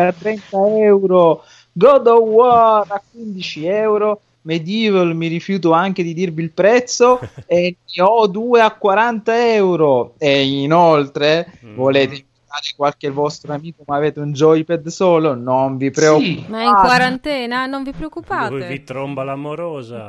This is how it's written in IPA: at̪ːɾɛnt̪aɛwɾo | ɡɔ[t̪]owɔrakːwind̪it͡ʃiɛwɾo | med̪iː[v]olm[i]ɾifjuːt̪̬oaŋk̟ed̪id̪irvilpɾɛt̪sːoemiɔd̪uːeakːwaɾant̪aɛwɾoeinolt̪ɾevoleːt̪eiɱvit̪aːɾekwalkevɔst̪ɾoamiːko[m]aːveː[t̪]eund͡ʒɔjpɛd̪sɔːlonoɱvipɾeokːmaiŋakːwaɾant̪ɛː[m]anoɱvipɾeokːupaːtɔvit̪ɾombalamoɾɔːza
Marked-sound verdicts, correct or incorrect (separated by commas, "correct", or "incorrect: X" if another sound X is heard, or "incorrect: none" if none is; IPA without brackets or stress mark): incorrect: d̪, correct, correct, correct, correct, incorrect: n